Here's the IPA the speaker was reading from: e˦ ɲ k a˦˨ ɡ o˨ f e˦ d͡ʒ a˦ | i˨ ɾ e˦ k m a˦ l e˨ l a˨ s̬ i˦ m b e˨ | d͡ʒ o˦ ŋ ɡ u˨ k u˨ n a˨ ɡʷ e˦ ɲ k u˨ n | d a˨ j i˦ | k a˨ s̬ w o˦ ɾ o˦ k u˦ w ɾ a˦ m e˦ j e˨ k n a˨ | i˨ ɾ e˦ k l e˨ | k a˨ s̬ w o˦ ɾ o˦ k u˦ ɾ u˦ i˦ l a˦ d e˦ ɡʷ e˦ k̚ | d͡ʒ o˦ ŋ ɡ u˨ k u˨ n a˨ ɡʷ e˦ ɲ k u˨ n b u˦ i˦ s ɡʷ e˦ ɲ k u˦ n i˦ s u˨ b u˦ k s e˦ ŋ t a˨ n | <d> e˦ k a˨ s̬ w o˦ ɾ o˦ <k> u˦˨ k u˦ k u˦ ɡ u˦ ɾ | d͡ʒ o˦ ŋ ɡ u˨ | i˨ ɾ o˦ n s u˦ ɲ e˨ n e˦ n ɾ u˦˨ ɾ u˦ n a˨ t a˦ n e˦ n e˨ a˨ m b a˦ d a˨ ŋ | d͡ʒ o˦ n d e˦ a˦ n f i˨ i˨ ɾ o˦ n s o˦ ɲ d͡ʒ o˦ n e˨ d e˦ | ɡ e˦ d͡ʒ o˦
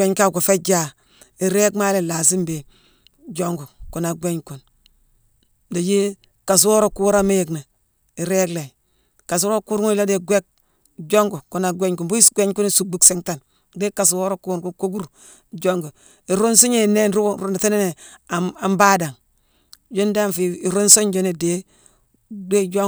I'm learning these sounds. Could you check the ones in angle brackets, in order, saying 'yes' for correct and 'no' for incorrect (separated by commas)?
yes, yes